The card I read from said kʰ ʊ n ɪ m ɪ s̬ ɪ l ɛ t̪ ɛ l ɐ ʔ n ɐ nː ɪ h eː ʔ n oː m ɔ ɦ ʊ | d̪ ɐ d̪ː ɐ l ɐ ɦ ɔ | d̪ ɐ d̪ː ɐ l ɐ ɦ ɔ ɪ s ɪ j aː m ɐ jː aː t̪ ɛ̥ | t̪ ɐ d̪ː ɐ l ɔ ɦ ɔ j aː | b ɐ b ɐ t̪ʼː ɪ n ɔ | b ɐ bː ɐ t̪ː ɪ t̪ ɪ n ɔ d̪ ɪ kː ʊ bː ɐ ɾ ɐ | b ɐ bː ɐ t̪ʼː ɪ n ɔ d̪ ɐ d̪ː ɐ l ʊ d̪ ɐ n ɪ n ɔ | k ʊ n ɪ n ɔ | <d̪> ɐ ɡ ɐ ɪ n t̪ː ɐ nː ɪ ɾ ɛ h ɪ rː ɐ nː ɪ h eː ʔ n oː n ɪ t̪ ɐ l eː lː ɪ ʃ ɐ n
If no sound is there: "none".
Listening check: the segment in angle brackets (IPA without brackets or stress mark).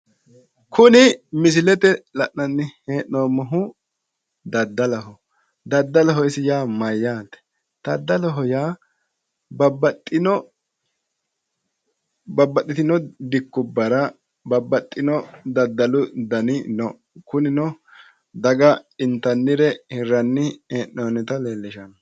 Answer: d̪